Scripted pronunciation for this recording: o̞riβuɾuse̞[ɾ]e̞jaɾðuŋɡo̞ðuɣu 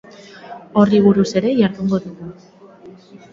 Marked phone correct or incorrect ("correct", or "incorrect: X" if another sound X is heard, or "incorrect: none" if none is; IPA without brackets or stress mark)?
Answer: correct